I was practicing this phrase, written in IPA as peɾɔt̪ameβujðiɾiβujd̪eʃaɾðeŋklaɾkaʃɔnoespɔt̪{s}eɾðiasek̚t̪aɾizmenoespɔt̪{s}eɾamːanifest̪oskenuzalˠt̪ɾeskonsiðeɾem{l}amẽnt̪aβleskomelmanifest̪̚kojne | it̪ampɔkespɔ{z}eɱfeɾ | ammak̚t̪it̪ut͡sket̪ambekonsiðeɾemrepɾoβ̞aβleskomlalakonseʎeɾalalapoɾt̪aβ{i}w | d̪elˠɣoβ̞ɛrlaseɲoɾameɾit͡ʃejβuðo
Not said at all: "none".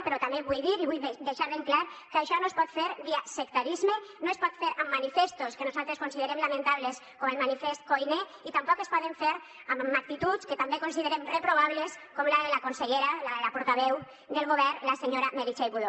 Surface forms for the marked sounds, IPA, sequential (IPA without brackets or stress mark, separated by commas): f, f, l, ð, ɛ